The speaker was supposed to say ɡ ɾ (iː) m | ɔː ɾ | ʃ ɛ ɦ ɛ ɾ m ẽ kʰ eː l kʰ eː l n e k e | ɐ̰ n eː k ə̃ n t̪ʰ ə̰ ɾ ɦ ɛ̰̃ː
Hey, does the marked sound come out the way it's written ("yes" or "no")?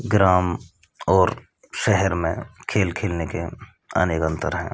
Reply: no